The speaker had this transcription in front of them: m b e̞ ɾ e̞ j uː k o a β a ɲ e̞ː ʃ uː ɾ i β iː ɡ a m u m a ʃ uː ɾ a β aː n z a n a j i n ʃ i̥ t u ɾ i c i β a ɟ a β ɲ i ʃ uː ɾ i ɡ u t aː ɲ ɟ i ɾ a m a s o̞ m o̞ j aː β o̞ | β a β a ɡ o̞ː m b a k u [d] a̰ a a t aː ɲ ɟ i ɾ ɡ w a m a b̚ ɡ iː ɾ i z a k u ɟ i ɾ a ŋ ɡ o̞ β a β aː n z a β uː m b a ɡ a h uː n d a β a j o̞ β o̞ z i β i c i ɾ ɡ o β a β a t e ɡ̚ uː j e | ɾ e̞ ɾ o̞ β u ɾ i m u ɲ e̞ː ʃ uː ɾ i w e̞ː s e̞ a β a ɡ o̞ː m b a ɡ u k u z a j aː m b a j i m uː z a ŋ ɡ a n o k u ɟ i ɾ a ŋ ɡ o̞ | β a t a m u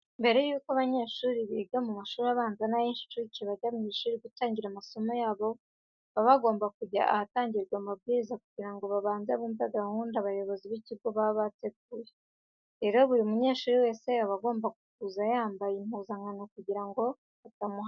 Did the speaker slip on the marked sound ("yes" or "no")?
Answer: yes